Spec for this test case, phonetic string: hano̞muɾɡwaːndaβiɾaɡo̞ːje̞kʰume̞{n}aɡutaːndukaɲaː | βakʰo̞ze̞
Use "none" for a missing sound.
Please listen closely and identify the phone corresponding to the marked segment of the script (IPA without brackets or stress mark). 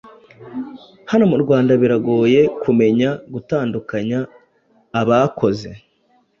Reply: ɲ